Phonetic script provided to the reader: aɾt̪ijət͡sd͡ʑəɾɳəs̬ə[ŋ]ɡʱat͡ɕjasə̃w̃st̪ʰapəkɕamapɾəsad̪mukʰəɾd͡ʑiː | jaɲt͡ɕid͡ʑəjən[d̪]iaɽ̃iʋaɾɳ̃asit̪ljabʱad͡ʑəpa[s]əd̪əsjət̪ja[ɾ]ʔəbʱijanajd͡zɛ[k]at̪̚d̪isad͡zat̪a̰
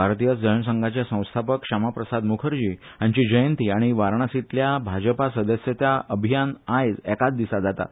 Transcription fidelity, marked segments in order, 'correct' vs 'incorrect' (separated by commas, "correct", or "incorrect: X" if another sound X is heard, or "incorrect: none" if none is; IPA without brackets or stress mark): correct, incorrect: t̪, correct, incorrect: none, correct